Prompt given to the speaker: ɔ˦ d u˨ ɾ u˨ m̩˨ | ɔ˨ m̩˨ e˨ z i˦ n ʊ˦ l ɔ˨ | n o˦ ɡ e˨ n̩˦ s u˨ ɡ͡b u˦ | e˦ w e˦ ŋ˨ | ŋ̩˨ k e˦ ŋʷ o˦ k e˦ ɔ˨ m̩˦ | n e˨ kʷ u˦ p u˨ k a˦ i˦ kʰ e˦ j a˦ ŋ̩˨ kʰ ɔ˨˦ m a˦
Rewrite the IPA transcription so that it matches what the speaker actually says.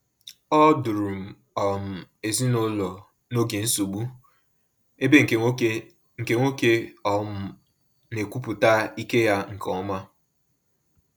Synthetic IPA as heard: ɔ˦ d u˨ ɾ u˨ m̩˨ | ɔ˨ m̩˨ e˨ z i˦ n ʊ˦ l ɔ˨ | n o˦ ɡ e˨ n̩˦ s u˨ ɡ͡b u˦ | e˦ b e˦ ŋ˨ | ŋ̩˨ k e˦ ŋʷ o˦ k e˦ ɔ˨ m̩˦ | n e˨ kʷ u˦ p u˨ t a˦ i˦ k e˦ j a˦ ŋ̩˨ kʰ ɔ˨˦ m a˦

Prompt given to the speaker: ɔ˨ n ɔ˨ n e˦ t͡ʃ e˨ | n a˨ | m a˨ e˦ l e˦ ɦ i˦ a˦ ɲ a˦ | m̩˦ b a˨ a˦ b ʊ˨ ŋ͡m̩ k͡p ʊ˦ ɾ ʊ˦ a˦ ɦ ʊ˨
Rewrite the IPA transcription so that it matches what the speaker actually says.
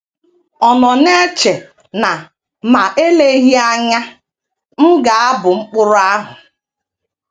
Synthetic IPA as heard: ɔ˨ n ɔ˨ n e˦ t͡ʃ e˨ | n a˨ | m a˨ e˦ l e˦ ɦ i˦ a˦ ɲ a˦ | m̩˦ ɡ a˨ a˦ b ʊ˨ ŋ͡m̩ k͡p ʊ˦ ɾ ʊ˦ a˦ ɦ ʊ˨

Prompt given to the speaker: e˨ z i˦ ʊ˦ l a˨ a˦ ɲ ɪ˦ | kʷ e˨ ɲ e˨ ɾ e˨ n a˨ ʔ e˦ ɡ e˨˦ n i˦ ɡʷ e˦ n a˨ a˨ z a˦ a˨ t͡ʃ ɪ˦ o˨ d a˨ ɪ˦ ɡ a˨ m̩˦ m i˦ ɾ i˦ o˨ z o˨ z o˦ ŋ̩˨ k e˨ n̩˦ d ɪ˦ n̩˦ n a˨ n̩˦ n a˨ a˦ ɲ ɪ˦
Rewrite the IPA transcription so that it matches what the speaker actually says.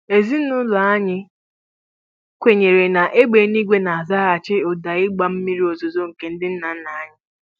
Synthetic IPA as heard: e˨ z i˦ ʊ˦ l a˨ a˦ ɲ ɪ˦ | kʷ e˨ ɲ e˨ ɾ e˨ n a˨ ʔ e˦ ɡ͡b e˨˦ n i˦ ɡʷ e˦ n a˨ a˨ z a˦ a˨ t͡ʃ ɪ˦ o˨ d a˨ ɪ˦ ɡ͡b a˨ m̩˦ m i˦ ɾ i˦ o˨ z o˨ z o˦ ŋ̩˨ k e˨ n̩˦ d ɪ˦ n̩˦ n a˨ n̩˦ n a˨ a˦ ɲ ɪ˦

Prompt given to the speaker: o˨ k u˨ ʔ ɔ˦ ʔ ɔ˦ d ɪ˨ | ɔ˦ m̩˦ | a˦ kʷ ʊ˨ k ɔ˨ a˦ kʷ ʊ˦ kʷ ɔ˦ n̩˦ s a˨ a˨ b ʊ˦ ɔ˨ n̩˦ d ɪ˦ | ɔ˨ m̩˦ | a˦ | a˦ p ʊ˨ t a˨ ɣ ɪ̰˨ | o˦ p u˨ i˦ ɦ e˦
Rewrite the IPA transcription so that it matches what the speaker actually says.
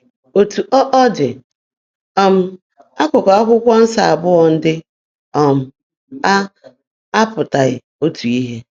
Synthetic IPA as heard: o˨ t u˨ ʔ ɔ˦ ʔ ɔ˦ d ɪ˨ | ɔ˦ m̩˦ | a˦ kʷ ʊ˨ k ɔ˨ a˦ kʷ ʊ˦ kʷ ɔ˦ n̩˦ s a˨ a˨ b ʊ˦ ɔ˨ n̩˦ d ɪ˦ | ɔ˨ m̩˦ | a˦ | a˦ p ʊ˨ t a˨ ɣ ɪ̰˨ | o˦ t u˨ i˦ ɦ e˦

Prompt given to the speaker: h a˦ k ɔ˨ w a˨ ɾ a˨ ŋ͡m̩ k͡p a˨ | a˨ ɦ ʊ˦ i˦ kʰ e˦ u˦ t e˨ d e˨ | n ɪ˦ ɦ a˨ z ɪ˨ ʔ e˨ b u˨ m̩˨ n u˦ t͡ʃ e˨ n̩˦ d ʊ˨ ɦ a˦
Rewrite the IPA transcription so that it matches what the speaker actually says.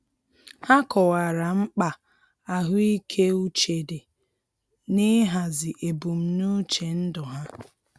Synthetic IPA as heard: h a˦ k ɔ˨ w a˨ ɾ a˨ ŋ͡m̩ k͡p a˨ | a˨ ɦ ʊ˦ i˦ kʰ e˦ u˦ t͡ʃ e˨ d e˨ | n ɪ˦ ɦ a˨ z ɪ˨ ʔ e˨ b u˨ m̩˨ n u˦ t͡ʃ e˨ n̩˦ d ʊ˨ ɦ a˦

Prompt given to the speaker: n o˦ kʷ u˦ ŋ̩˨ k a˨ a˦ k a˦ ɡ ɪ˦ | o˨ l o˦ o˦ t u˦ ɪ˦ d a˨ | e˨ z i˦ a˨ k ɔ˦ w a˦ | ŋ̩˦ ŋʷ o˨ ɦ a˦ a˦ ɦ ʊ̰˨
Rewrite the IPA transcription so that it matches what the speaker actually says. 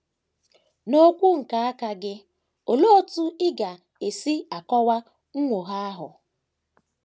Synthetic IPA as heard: n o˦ kʷ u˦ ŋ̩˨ k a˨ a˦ k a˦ ɡ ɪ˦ | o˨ l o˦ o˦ t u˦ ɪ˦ ɡ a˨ | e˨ s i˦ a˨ k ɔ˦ w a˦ | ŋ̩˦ ŋʷ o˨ ɦ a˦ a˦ ɦ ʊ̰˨

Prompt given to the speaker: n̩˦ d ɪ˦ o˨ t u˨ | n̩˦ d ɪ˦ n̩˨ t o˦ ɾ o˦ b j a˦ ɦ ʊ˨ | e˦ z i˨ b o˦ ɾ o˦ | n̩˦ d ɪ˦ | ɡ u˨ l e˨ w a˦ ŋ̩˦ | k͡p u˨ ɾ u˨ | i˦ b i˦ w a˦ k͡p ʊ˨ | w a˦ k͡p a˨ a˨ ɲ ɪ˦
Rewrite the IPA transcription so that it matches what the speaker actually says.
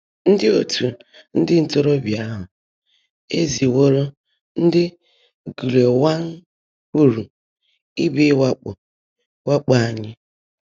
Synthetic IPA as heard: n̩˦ d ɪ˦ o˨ t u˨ | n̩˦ d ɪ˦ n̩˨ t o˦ ɾ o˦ b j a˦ ɦ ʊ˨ | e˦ z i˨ w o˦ ɾ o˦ | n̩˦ d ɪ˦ | ɡ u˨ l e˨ w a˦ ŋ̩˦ | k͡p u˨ ɾ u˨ | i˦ b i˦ w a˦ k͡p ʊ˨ | w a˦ k͡p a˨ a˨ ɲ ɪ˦

